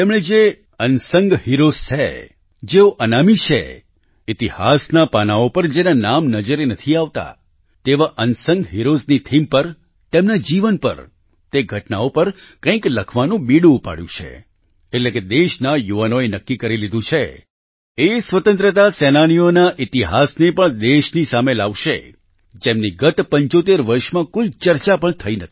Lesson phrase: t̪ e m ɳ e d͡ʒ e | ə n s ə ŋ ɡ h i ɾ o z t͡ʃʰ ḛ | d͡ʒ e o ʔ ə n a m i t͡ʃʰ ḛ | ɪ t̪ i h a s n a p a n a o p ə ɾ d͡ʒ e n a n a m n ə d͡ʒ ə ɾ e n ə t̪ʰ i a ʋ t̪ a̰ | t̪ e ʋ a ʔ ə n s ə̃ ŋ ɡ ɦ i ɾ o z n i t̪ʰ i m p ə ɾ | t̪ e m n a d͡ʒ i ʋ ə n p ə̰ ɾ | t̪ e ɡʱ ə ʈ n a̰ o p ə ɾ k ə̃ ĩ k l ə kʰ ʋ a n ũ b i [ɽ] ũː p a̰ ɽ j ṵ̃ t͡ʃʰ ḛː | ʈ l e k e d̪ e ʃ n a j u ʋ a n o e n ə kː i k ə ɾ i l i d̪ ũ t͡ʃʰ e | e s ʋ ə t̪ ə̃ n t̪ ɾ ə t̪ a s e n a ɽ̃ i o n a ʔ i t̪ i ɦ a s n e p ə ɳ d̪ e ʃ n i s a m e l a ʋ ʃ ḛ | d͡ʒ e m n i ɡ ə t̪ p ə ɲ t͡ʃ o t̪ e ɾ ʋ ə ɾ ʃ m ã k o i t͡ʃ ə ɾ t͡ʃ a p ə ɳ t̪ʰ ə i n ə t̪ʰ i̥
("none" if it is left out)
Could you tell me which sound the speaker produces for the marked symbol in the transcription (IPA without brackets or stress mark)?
ɽ